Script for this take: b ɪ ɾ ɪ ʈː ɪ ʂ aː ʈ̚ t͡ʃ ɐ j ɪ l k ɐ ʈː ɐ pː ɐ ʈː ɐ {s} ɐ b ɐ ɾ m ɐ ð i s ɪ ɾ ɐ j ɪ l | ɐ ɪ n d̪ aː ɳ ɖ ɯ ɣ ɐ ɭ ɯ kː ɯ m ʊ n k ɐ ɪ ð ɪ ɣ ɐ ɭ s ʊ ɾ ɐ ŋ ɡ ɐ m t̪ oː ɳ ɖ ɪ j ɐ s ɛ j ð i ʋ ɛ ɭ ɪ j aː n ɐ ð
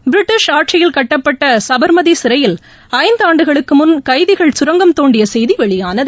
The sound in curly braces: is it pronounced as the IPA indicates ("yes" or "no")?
yes